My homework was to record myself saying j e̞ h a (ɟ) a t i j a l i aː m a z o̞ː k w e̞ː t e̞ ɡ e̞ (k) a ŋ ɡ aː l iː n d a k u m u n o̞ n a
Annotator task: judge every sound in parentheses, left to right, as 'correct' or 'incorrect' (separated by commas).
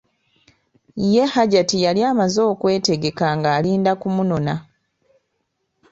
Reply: correct, correct